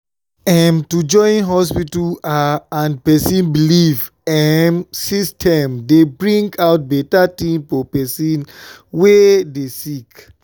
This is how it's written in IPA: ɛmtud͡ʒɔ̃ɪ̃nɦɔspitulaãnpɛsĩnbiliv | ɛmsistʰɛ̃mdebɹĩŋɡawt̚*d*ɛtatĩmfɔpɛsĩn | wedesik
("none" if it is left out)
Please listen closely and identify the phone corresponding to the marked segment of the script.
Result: b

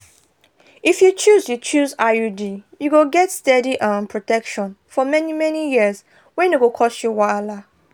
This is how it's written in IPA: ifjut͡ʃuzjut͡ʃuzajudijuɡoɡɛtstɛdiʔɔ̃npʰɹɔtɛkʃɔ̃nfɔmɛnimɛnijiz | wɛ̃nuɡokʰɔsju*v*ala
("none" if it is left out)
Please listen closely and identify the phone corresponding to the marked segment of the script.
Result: w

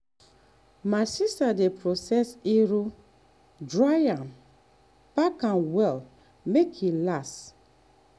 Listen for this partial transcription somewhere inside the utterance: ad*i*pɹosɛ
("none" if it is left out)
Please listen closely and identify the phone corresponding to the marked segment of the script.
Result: e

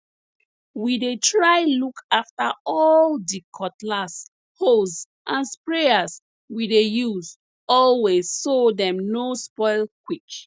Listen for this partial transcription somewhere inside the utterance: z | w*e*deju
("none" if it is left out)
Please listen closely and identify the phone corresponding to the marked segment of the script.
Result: i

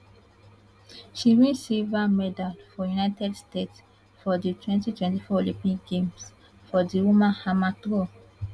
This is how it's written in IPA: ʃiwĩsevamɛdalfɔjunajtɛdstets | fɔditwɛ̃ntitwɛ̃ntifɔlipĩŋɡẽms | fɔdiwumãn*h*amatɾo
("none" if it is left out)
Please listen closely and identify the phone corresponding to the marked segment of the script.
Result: h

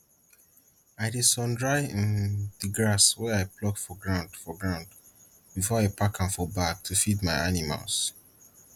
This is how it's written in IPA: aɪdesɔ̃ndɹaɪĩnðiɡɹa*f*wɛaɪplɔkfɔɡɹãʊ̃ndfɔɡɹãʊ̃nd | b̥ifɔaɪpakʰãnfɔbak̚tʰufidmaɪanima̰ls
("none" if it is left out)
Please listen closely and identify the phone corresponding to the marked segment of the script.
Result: s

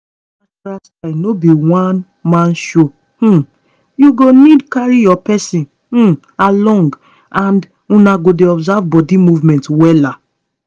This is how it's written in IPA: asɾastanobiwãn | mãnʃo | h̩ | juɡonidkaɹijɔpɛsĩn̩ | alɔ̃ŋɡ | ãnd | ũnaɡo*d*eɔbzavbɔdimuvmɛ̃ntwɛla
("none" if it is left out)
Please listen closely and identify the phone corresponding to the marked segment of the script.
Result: d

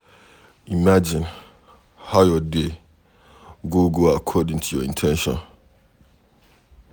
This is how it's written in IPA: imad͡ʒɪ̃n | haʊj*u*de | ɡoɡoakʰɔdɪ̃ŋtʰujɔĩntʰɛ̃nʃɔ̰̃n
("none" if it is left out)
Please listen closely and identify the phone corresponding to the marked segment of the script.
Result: ɔ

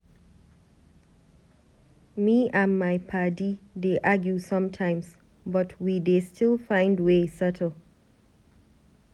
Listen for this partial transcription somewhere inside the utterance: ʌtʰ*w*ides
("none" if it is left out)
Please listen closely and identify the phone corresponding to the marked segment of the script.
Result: w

